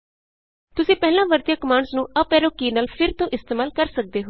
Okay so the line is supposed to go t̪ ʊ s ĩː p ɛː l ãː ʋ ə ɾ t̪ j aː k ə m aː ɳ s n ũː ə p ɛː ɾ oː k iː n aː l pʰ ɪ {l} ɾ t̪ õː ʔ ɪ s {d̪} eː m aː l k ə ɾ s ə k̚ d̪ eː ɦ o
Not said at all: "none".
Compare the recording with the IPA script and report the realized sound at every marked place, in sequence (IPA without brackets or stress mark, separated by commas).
none, t̪